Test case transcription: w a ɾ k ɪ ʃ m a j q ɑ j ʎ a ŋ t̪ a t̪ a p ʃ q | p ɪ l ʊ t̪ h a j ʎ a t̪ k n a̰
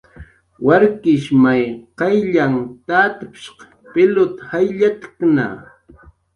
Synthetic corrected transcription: w a ɾ k ɪ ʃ m a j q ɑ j ʎ a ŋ t̪ a t̪ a p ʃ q | p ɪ l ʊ t̪ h a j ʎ a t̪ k n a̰